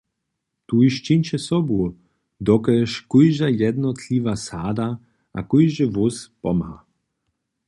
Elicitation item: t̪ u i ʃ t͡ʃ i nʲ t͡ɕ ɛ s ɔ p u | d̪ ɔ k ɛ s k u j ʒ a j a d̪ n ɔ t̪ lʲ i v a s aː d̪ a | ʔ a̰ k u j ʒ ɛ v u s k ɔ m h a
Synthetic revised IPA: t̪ u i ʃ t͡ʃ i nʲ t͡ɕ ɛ s ɔ b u | d̪ ɔ k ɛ ʃ k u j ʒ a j ɛ d̪ n ɔ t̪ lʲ i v a s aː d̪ a | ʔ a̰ k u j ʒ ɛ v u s p ɔ m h a